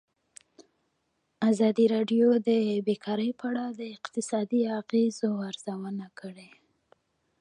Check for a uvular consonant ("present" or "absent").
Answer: present